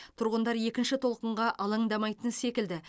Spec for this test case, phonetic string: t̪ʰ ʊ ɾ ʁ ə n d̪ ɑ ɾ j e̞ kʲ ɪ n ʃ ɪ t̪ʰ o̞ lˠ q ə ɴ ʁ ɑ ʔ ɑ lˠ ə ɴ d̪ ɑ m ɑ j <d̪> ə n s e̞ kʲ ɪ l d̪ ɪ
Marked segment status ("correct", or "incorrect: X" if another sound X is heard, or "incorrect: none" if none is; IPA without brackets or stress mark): incorrect: t̪